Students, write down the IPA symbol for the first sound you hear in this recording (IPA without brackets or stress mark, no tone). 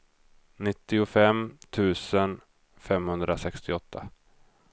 n